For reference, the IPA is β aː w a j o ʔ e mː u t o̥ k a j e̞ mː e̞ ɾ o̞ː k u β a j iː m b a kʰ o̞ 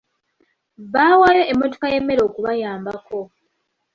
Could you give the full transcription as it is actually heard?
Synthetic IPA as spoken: β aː w a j o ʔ e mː o t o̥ k a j e̞ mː e̞ ɾ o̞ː k u β a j aː m b a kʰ o̞